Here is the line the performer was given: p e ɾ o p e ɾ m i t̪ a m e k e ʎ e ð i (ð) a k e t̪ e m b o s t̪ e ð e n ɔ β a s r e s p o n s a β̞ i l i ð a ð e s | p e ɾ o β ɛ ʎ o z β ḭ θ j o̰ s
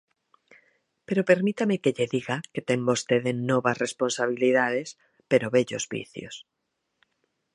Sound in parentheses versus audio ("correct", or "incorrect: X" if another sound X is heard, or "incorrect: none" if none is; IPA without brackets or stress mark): incorrect: ɣ